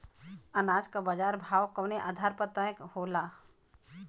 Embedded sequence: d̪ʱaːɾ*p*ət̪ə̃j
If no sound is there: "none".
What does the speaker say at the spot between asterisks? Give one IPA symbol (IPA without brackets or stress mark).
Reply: p